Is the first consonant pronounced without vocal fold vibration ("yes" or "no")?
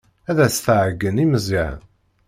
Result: no